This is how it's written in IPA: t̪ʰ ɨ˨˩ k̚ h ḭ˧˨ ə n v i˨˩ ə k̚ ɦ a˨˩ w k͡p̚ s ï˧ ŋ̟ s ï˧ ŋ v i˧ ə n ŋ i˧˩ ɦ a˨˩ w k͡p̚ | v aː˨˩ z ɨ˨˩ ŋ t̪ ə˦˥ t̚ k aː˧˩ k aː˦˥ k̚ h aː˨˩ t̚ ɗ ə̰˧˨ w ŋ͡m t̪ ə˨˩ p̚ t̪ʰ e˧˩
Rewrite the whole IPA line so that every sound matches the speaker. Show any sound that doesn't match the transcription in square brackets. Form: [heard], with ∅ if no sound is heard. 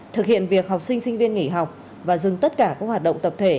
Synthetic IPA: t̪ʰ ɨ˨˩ k̚ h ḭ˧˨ ə n v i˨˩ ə k̚ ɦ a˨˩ w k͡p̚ s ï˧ ŋ̟ s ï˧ ŋ v i˧ ə n ŋ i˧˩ ɦ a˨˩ w k͡p̚ | v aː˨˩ z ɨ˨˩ ŋ t̪ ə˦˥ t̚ k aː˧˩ k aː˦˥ k̚ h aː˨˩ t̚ ɗ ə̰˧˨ w ŋ͡m t̪ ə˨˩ p̚ t̪ʰ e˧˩